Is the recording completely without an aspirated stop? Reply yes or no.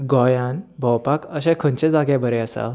no